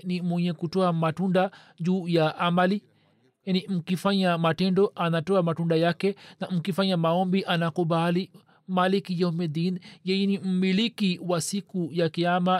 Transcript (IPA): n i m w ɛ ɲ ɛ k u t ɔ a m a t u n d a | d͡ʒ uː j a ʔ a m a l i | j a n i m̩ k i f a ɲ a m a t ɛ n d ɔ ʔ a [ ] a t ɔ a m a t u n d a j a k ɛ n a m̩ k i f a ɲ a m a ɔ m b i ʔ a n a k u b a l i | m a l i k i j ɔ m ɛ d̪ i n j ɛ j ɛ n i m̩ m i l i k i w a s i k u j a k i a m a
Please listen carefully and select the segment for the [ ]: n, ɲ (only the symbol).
n